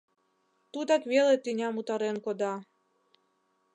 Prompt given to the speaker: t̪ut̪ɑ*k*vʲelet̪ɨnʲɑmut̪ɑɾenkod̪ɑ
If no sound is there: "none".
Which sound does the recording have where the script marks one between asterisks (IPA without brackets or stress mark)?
k